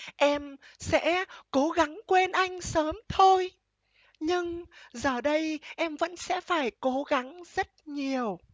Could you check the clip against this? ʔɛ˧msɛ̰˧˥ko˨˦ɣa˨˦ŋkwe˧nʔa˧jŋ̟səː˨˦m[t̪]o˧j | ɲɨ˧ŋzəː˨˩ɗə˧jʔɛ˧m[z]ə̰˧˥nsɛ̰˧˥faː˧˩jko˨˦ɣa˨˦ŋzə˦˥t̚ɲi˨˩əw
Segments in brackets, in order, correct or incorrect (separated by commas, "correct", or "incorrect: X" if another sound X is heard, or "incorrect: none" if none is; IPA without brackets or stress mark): incorrect: t̪ʰ, incorrect: v